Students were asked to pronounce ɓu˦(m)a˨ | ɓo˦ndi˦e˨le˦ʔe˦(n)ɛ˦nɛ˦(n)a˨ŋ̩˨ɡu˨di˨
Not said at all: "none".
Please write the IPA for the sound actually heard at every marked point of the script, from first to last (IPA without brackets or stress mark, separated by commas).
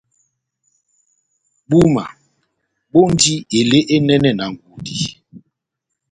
m, n, n